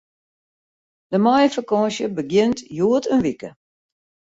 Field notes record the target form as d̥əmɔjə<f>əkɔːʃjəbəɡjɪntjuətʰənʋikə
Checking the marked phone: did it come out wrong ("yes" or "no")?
no